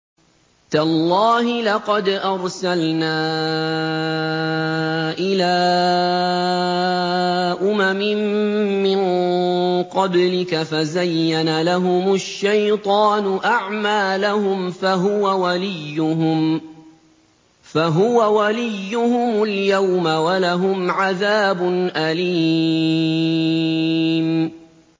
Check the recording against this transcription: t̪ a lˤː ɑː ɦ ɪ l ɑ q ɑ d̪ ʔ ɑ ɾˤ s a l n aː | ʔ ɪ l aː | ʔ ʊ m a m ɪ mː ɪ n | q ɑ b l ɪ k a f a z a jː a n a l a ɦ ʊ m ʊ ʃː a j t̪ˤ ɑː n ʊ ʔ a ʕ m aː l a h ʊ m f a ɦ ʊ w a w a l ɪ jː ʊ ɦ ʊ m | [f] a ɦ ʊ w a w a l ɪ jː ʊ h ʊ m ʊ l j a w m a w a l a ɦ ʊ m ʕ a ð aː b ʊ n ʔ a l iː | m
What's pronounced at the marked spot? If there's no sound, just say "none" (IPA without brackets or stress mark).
f